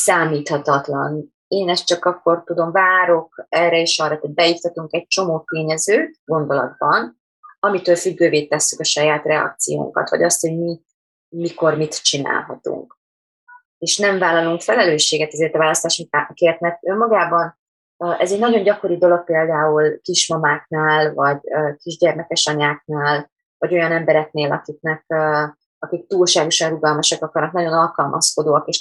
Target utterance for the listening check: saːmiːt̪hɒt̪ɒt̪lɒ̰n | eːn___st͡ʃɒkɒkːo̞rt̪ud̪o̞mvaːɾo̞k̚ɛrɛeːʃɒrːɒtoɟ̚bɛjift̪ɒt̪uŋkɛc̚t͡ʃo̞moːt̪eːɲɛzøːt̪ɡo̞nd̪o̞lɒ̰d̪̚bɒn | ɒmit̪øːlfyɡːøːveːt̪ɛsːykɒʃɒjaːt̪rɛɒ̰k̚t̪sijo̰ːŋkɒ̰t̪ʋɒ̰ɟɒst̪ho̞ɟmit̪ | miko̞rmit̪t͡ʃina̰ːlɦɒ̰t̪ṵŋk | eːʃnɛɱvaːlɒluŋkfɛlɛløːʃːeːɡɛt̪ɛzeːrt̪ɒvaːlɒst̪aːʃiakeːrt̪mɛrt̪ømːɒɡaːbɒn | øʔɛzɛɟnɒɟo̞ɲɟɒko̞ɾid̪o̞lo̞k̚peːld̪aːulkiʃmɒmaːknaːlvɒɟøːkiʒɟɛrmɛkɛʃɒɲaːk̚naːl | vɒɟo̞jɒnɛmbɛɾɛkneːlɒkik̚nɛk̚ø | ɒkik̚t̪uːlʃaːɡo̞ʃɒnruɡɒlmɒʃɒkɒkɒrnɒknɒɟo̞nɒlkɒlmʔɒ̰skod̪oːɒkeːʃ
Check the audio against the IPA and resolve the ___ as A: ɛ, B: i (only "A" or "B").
A